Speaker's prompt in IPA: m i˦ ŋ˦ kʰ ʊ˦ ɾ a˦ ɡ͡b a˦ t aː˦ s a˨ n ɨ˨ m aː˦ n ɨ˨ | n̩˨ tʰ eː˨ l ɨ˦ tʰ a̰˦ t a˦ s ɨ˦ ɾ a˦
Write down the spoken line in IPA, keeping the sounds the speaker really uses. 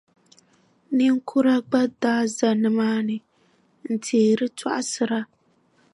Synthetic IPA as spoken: n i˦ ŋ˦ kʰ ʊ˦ ɾ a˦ ɡ͡b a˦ d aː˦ z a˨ n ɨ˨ m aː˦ n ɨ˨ | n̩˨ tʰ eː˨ ɾ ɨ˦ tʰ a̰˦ ʔ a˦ s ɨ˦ ɾ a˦